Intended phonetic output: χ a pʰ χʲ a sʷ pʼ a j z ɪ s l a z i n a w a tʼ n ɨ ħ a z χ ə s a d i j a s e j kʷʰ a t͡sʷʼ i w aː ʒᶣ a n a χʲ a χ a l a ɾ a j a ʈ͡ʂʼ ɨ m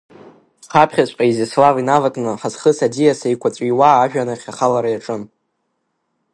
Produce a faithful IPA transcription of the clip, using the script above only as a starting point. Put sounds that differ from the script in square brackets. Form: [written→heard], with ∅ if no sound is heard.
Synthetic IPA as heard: χ a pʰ χʲ a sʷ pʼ a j z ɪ s l a [z→v] i n a [w→v] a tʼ n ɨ ħ a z χ ə s a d i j a s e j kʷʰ a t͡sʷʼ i w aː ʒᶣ a n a χʲ a χ a l a ɾ a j a ʈ͡ʂʼ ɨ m